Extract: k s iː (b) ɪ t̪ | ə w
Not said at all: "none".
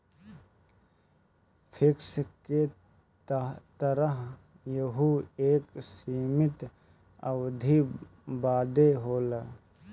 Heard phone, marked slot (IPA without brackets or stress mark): m